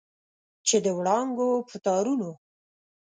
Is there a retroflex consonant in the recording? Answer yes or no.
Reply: yes